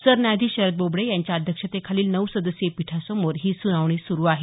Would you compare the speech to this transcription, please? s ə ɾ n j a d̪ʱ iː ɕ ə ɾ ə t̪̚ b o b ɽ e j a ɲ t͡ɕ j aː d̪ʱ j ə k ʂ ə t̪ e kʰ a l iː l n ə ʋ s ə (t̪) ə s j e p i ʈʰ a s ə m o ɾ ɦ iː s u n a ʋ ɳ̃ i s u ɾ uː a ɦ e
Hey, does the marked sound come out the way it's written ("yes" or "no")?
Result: no